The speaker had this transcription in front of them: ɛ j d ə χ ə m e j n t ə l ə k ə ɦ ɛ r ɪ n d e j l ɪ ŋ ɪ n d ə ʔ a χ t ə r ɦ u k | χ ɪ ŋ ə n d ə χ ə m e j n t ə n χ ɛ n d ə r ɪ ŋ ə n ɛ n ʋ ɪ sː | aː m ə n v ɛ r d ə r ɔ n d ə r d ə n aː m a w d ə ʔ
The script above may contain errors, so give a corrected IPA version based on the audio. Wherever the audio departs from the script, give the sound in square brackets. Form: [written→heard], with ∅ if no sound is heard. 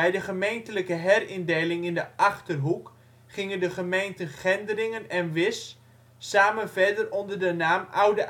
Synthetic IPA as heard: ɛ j d ə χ ə m e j n t ə l ə k ə ɦ ɛ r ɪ n d e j l ɪ ŋ ɪ n d ə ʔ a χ t ə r ɦ u k | χ ɪ ŋ ə n d ə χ ə m e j n t ə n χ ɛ n d ə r ɪ ŋ ə n ɛ n ʋ ɪ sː | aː m ə n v ɛ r d ə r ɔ n d ə r d ə n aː m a w d ə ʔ